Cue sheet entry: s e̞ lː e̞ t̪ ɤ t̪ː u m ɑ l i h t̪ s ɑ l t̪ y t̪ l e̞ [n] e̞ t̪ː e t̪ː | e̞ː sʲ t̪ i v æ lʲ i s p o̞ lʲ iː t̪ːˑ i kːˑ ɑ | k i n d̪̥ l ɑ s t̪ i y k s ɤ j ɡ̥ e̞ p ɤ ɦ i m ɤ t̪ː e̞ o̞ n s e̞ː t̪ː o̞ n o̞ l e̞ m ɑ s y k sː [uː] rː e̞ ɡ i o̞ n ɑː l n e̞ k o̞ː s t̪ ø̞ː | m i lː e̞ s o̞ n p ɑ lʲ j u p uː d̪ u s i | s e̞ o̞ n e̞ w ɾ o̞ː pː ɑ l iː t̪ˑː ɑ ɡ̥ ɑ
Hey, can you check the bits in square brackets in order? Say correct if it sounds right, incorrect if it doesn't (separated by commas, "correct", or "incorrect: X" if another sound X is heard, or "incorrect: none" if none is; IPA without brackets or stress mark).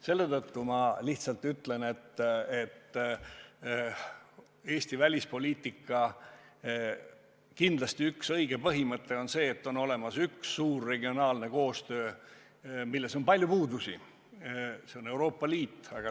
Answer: correct, correct